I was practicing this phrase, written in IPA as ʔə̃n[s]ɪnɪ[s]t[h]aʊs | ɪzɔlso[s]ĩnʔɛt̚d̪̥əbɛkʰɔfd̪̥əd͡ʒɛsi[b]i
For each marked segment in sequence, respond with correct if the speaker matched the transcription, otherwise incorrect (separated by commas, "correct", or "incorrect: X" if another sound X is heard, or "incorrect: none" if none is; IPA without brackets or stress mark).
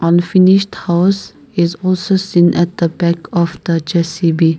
incorrect: f, incorrect: ʃ, correct, correct, correct